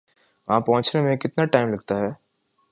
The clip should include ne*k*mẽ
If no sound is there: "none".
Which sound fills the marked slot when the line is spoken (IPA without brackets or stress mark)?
none